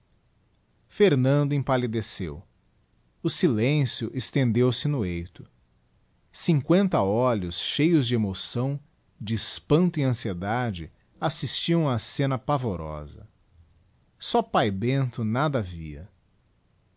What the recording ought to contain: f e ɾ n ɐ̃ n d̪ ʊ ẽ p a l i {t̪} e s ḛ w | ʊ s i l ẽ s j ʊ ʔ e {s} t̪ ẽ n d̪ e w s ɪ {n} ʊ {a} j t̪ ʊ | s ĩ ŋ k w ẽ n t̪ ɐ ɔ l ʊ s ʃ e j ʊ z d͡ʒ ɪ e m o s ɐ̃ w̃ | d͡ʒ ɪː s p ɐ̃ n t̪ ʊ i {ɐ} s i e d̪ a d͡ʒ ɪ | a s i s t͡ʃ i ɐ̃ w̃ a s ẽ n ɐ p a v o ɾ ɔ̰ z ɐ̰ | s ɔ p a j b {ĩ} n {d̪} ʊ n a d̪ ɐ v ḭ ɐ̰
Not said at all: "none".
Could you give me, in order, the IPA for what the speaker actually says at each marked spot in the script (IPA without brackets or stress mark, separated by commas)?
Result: d̪, s, n, e, ɐ̃, ẽ, t̪